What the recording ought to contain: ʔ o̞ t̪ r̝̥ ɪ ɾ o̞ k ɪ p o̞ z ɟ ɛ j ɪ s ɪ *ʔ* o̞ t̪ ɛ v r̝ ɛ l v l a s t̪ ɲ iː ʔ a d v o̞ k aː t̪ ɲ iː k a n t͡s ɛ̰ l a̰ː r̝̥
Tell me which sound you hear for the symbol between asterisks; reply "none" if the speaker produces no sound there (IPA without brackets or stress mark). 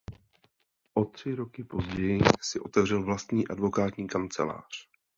ʔ